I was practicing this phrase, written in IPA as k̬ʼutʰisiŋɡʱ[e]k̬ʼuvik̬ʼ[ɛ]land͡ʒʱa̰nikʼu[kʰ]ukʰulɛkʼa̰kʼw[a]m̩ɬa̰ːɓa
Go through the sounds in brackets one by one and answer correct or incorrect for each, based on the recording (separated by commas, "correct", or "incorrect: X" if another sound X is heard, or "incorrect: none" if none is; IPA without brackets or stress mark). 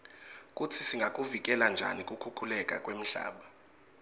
incorrect: a, correct, correct, incorrect: e